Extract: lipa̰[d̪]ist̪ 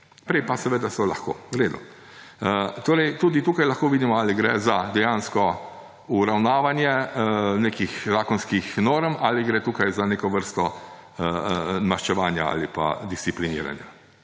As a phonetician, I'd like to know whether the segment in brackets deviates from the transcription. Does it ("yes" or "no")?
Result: no